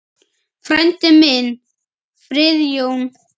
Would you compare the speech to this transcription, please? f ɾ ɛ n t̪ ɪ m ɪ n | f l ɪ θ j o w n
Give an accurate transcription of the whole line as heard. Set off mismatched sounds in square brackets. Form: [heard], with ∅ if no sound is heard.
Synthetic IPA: f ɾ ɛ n t̪ ɪ m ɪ n | f [ɾ] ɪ [ð] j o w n